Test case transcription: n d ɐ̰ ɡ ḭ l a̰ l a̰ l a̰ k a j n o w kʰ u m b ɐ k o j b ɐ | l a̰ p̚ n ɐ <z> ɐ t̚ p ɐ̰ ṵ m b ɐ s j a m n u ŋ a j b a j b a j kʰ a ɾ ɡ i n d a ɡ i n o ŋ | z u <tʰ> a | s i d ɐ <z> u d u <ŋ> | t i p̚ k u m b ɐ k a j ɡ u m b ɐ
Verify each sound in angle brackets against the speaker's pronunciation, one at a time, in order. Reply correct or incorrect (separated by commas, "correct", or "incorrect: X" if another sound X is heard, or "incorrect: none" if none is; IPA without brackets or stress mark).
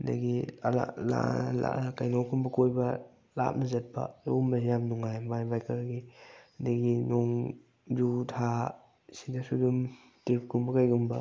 correct, correct, incorrect: s, incorrect: m